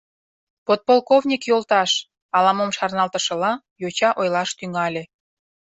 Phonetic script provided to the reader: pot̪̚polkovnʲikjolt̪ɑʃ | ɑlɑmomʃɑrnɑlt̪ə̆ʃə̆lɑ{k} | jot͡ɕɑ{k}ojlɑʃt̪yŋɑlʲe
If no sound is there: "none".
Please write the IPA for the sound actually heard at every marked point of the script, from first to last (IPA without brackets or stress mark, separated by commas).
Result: none, ʔ